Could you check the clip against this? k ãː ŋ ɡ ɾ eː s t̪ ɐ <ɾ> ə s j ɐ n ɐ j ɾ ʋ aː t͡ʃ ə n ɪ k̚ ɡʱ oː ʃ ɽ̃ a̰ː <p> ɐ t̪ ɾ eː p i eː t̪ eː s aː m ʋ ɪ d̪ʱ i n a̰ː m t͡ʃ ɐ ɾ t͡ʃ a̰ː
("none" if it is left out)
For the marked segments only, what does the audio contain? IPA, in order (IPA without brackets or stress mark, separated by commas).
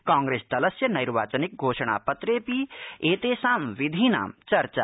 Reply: l, p